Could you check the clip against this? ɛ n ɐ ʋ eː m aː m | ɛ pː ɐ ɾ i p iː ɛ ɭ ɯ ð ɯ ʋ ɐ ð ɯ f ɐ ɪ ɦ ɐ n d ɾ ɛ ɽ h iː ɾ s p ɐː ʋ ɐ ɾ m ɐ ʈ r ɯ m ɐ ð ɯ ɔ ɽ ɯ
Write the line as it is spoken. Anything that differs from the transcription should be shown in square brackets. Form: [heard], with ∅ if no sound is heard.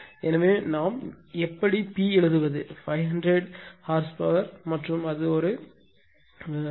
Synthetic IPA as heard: ɛ n ɐ ʋ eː [n] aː m | ɛ pː ɐ [ɽ] i p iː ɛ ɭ ɯ ð ɯ ʋ ɐ ð ɯ f ɐ ɪ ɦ ɐ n d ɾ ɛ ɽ h [aː] ɾ s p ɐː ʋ ɐ ɾ m ɐ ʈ r ɯ m ɐ ð ɯ ɔ [ɾ] ɯ